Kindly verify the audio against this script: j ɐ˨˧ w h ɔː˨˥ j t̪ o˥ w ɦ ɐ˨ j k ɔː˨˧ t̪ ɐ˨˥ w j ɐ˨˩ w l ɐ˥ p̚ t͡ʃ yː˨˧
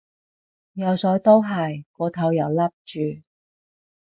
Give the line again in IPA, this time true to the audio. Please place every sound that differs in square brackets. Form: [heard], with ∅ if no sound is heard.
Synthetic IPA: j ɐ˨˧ w [s] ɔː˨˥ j t̪ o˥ w ɦ ɐ˨ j k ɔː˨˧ [t̪ʰ] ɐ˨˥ w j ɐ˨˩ w l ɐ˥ p̚ t͡ʃ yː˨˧